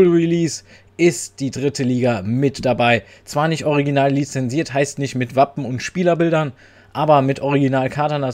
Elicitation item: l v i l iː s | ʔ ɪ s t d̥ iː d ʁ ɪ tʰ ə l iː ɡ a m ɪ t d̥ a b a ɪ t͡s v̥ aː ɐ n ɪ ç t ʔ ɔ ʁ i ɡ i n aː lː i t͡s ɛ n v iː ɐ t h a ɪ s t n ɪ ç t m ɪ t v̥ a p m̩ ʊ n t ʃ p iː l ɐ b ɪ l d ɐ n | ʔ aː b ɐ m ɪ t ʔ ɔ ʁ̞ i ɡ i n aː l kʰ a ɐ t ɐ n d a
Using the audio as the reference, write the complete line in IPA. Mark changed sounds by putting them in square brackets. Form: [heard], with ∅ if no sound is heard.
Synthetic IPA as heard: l [ʁ] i l iː s | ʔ ɪ s t d̥ iː d ʁ ɪ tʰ ə l iː ɡ a m ɪ t d̥ a b a ɪ t͡s v̥ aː ɐ n ɪ ç t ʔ ɔ ʁ i ɡ i n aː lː i t͡s ɛ n [z] iː ɐ t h a ɪ s t n ɪ ç t m ɪ t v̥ a p m̩ ʊ n t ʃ p iː l ɐ b ɪ l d ɐ n | ʔ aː b ɐ m ɪ t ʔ ɔ ʁ̞ i ɡ i n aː l kʰ a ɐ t ɐ n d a

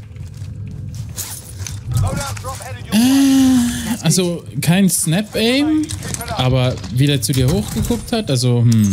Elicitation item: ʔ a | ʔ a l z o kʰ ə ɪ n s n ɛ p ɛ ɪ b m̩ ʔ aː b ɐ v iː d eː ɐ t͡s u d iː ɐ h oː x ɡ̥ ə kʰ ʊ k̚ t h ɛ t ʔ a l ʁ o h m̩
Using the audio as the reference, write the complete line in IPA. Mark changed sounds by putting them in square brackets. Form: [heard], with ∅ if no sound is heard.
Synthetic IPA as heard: ʔ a | ʔ a l z o kʰ [a] ɪ n s n ɛ p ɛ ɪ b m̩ ʔ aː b ɐ v iː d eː ɐ t͡s u d iː ɐ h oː x ɡ̥ ə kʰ ʊ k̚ t h [a] t ʔ a l [z] o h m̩

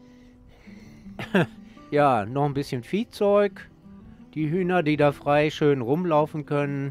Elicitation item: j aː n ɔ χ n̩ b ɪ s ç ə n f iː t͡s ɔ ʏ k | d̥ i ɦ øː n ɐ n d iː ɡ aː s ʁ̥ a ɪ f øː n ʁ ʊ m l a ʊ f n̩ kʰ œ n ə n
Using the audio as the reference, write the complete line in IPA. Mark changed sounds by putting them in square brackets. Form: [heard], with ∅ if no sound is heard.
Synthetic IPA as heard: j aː n ɔ χ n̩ b ɪ s ç ə n f iː t͡s ɔ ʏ k | d̥ [iː] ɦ [yː] n ɐ [∅] d iː [d] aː [f] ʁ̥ a ɪ [ʃ] øː n ʁ ʊ m l a ʊ f n̩ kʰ œ n ə n

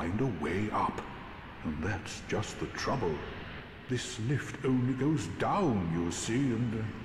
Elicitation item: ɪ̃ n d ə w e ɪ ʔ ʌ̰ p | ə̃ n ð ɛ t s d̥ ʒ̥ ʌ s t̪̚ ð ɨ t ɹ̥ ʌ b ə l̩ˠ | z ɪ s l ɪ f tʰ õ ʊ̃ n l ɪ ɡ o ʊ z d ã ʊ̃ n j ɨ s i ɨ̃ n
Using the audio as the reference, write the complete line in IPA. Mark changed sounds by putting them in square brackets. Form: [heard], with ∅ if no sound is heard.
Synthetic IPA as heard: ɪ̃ n d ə w e ɪ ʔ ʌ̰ p | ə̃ n ð [æ] t s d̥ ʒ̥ ʌ s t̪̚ ð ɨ [tʰ] ɹ̥ ʌ b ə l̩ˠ | [ð] ɪ s l ɪ f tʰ õ ʊ̃ n l [i] ɡ o ʊ z d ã ʊ̃ n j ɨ s i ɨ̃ n

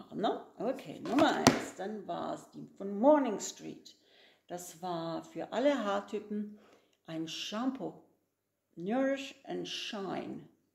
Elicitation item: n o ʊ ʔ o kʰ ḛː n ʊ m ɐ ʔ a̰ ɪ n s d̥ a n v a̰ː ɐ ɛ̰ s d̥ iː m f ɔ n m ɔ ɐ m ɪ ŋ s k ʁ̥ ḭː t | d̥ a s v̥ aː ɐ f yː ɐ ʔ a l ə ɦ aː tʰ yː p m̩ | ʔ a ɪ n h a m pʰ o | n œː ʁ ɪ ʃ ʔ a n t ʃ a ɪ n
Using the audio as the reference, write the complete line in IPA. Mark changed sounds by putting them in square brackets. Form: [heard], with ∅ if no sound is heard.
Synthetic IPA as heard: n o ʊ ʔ o kʰ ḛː n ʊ m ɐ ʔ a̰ ɪ n s d̥ a n v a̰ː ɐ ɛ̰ s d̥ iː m f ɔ n m ɔ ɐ [n] ɪ ŋ s [t] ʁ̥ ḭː t | d̥ a s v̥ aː ɐ f yː ɐ ʔ a l ə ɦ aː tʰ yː p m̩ | ʔ a ɪ n [ʃ] a m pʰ o | n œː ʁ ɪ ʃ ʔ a n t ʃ a ɪ n

